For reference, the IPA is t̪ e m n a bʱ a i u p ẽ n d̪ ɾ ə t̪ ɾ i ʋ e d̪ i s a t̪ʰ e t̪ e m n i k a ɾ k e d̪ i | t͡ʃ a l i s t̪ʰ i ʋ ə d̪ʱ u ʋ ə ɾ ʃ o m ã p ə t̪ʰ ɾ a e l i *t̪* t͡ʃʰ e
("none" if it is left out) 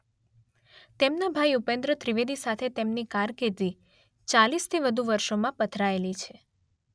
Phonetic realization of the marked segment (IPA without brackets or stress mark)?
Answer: none